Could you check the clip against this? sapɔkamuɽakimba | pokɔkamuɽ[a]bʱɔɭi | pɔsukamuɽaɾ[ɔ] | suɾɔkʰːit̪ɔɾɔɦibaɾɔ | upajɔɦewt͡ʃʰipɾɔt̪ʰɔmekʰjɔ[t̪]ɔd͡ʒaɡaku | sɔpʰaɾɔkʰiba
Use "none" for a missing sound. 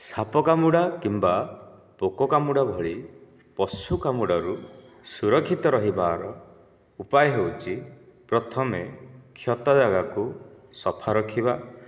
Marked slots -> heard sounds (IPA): a, u, t̪

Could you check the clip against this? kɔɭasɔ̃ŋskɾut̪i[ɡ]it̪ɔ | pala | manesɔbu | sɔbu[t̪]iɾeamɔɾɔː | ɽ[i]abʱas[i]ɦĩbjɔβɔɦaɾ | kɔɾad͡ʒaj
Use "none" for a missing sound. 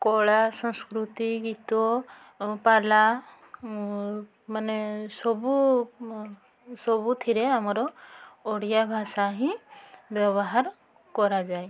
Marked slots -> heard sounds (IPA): ɡ, t̪ʰ, j, a

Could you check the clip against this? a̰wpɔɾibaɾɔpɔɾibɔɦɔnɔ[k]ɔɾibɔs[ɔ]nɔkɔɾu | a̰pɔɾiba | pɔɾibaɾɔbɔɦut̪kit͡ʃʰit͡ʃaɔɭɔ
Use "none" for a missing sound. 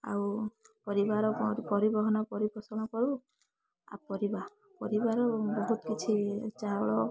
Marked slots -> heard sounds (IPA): p, ɔ

